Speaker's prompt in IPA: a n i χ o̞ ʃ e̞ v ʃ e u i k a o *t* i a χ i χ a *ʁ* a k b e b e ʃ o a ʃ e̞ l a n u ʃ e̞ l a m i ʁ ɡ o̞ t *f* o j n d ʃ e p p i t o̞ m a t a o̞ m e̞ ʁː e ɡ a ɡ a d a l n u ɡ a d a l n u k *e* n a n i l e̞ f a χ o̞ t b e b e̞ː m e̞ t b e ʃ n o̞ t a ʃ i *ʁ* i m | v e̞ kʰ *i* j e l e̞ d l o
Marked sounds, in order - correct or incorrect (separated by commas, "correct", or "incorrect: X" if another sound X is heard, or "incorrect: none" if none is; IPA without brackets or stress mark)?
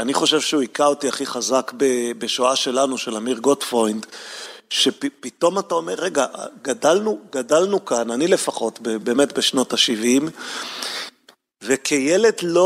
correct, incorrect: z, correct, incorrect: a, incorrect: v, incorrect: e